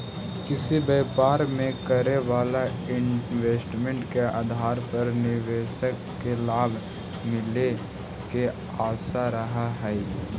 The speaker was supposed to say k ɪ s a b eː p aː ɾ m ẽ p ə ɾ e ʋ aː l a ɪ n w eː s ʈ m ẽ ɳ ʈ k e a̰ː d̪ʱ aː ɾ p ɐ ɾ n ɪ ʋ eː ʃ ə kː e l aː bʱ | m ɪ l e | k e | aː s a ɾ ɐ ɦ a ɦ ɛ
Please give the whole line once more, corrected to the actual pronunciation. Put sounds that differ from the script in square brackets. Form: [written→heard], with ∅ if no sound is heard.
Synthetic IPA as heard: k ɪ s [a→i] b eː p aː ɾ m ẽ [p→k] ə ɾ e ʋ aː l a ɪ n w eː s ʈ m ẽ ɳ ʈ k e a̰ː d̪ʱ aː ɾ p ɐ ɾ n ɪ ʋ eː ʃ ə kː e l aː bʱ | m ɪ l e | k e | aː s a ɾ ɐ ɦ a ɦ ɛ